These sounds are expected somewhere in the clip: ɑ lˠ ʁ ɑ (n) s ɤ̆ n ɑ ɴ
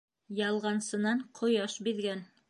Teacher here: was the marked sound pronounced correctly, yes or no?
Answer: yes